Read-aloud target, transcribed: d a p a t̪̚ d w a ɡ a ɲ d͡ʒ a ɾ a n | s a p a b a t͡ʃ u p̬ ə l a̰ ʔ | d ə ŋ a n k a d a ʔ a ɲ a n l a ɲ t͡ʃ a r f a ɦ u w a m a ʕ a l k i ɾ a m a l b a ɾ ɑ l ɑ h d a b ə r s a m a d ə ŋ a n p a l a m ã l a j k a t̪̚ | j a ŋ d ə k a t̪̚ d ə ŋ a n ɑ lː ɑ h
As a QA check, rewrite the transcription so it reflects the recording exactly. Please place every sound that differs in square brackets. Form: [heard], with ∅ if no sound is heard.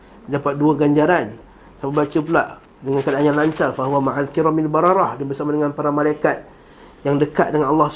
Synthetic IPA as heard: d a p a t̪̚ d [u] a ɡ a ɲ d͡ʒ a ɾ a n | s a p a b a t͡ʃ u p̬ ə l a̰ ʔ | d ə ŋ a n k a d a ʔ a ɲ a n l a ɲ t͡ʃ a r f a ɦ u w a m a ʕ a l k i ɾ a m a l b a ɾ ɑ [ɾ] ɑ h d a b ə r s a m a d ə ŋ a n p a [ɾ] a m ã l a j k a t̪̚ | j a ŋ d ə k a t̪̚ d ə ŋ a n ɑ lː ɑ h